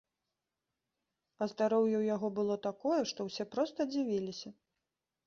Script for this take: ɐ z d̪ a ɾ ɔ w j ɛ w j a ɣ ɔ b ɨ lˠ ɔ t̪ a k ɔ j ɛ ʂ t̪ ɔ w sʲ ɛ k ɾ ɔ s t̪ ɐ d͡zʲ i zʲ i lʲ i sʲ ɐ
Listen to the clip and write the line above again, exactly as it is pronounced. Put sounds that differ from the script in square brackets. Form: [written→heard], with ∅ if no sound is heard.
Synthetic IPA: ɐ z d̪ a ɾ ɔ w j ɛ w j a ɣ ɔ b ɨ lˠ ɔ t̪ a k ɔ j ɛ ʂ t̪ ɔ w sʲ ɛ [k→p] ɾ ɔ s t̪ ɐ d͡zʲ i [zʲ→vʲ] i lʲ i sʲ ɐ